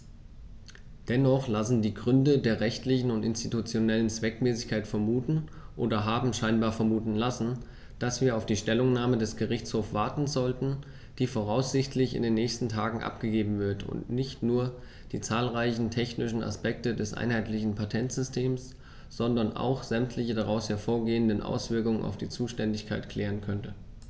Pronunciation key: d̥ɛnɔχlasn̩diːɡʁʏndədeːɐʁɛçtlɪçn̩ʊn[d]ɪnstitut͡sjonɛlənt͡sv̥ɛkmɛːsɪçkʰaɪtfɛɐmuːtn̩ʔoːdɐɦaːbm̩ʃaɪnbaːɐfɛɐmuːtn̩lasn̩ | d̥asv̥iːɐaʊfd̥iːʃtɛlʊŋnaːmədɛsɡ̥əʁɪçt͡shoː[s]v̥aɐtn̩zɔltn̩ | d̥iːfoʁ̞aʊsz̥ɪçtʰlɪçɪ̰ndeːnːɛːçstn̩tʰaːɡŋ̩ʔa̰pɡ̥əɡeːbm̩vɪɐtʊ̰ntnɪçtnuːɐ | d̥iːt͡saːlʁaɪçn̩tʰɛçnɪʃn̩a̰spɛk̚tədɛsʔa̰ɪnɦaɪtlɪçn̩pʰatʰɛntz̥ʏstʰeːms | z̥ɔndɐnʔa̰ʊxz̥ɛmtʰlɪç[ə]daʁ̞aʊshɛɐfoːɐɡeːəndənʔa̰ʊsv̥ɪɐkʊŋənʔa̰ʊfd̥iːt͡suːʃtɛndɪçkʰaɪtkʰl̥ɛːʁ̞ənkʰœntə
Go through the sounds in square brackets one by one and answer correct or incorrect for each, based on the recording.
incorrect, incorrect, correct

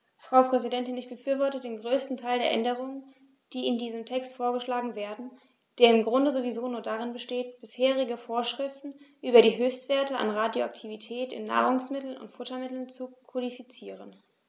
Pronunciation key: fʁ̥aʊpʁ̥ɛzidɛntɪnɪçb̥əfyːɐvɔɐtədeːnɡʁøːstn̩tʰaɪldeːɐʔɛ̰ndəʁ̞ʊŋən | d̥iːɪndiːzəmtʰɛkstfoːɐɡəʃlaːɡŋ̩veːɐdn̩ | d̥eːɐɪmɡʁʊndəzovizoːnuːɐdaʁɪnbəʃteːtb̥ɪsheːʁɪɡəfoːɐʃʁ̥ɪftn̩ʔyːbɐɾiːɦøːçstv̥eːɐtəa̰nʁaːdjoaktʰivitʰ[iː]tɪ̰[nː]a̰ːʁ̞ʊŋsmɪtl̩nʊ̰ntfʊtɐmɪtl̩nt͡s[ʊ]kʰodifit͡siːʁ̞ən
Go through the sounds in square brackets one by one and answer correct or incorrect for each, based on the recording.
incorrect, correct, incorrect

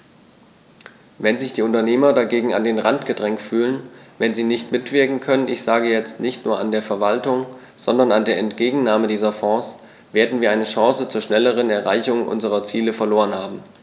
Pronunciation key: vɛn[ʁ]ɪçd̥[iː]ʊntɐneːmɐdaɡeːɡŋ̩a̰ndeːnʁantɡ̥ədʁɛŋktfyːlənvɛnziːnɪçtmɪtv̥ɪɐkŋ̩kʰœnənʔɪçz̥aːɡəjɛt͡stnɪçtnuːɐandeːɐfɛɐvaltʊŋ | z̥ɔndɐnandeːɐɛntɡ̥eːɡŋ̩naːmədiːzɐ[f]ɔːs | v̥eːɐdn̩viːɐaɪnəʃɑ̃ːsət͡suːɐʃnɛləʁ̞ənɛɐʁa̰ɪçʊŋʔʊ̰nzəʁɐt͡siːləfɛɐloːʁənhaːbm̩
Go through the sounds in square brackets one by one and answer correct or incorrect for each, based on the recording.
incorrect, correct, correct

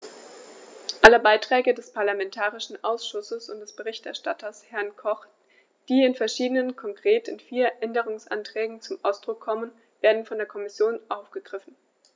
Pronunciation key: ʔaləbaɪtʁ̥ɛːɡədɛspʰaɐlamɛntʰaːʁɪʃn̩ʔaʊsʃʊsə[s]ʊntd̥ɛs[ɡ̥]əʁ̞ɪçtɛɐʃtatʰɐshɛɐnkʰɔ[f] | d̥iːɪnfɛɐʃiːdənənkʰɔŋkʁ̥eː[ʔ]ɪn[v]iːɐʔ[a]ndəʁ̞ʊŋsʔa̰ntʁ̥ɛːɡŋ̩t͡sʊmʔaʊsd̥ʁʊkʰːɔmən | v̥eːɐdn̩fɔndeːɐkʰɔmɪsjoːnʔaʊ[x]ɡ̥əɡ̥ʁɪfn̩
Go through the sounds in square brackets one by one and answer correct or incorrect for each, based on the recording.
correct, incorrect, incorrect, incorrect, incorrect, incorrect, incorrect

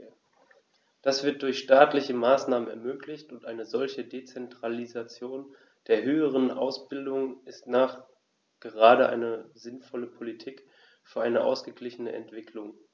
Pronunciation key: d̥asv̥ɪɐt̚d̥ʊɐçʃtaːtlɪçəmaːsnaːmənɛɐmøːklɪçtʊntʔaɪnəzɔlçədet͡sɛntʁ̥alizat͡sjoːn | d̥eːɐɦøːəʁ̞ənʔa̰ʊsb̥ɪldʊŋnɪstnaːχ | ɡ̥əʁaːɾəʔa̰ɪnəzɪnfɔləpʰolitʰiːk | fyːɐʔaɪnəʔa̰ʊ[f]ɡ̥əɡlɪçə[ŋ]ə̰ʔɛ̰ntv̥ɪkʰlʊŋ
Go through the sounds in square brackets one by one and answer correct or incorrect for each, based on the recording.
incorrect, incorrect

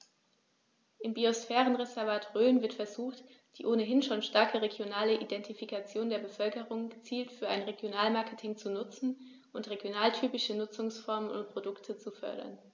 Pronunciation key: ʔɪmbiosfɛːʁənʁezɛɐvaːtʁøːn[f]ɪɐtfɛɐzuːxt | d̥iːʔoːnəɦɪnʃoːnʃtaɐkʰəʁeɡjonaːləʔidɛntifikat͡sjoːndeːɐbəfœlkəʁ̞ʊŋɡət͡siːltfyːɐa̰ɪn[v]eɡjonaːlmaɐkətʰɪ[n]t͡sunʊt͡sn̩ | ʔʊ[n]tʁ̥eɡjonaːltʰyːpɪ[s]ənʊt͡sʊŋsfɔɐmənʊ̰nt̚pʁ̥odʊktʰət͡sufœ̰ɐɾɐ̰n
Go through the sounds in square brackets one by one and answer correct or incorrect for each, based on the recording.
incorrect, incorrect, incorrect, correct, incorrect

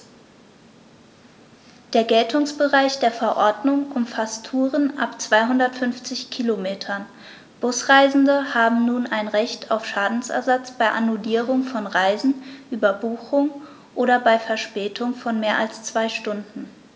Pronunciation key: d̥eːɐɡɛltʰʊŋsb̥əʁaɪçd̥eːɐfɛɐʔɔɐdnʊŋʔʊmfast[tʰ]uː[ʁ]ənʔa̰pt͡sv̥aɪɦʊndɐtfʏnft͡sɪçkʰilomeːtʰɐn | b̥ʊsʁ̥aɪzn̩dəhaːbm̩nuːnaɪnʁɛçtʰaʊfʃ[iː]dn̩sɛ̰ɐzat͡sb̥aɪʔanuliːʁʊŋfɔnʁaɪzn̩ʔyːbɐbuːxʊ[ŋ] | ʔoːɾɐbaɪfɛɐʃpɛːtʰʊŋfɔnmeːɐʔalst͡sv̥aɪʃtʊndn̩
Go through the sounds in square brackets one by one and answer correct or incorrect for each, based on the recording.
correct, correct, incorrect, correct

